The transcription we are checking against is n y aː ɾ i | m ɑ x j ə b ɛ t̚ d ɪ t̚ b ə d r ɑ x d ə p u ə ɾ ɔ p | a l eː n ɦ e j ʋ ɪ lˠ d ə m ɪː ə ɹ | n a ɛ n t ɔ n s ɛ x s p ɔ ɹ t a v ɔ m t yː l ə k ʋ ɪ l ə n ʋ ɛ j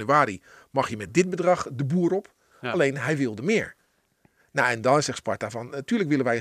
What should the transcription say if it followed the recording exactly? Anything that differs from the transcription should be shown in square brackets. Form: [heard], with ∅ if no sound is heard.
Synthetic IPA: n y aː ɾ i | m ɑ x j ə [m] ɛ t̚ d ɪ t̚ b ə d r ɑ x d ə [b] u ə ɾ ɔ p | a l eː n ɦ [ɛ] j ʋ ɪ lˠ d ə m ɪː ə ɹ | n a ɛ n [d] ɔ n s ɛ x s p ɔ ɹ t a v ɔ [n] t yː l ə k ʋ ɪ l ə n ʋ ɛ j